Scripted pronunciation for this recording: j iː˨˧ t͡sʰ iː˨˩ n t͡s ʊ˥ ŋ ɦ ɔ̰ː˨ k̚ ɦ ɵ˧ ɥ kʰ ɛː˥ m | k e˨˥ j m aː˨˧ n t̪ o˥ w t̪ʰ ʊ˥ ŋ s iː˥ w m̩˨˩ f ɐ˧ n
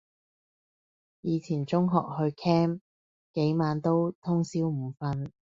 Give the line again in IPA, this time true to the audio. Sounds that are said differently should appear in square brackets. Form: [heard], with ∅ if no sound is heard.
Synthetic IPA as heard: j iː˨˧ t͡sʰ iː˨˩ n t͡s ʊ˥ ŋ ɦ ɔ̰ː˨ k̚ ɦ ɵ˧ ɥ kʰ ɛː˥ m | k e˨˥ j m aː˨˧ n t̪ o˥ w t̪ʰ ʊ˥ ŋ s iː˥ w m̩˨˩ f ɐ˧ n